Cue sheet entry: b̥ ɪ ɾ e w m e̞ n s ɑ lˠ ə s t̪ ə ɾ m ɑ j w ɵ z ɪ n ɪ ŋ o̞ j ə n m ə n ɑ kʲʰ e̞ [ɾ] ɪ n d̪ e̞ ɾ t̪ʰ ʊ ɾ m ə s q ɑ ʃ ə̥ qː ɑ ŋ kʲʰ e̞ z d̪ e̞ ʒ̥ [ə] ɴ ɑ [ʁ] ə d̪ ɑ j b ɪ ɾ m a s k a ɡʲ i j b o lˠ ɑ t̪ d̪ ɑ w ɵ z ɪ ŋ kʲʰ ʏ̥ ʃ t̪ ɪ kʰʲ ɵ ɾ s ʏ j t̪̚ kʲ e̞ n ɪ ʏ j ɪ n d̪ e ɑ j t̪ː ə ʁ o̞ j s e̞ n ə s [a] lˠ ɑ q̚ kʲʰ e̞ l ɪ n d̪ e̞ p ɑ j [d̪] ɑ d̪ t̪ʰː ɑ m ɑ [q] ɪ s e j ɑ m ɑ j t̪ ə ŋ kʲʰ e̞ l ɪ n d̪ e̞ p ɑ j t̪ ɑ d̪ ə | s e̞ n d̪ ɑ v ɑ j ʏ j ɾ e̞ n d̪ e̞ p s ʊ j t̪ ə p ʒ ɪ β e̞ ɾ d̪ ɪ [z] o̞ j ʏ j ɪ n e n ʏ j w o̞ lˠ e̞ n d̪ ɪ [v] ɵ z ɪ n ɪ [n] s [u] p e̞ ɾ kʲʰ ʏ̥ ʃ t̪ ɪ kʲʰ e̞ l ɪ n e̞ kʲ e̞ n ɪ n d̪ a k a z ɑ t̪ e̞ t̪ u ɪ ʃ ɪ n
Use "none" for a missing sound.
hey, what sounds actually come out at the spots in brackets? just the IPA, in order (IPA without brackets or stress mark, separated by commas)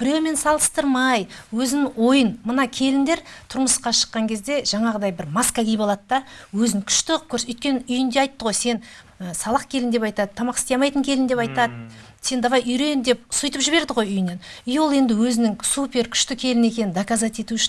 l, ɑ, ʁ, ɑ, t̪, q, ʁ, w, ŋ, u